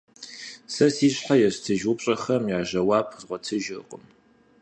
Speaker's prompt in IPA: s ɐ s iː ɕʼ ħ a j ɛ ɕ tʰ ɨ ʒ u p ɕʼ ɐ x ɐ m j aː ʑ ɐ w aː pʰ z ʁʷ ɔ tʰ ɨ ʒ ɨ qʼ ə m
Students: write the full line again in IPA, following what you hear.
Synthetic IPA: s ɐ s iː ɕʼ ħ a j ɛ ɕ tʰ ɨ ʒ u p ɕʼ ɐ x ɐ m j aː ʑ ɐ w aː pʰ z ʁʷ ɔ tʰ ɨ ʒ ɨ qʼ ə m